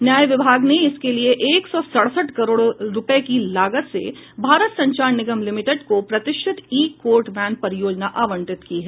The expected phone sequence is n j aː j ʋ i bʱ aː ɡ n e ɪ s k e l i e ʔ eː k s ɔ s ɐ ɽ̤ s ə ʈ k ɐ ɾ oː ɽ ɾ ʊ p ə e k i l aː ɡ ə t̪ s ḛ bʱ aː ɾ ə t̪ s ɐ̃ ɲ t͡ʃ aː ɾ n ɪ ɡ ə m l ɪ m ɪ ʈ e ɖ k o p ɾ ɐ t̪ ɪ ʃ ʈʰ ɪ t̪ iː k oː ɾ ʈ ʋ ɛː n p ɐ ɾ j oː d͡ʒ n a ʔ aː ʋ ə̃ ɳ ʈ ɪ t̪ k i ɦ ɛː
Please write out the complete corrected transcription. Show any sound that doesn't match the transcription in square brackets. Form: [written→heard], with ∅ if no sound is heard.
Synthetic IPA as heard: n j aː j ʋ [i→ɪ] bʱ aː ɡ n e ɪ s k e l i e ʔ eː k s ɔ s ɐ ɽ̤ s ə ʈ k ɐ ɾ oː ɽ ɾ ʊ p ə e k i l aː ɡ ə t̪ s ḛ bʱ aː ɾ ə t̪ s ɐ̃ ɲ t͡ʃ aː ɾ n ɪ ɡ ə m l ɪ m ɪ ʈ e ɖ k o p ɾ ɐ t̪ ɪ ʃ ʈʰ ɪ t̪ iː k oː ɾ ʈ ʋ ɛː n p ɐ ɾ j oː d͡ʒ n a ʔ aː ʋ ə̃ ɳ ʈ ɪ t̪ k i ɦ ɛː